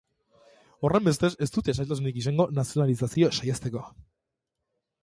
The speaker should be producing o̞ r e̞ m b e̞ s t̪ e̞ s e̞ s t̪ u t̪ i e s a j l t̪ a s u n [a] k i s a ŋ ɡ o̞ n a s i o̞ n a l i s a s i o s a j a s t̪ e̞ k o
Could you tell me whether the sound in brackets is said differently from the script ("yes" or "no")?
yes